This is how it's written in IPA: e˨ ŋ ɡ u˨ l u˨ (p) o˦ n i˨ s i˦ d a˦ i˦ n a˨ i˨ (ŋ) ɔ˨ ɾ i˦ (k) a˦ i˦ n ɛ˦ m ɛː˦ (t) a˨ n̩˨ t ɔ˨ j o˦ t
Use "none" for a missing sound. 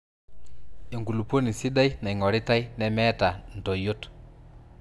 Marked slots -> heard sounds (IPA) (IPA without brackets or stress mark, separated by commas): p, ŋ, t, t